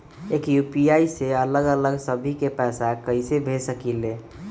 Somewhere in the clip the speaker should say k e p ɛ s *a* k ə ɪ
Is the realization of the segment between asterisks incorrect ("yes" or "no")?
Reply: no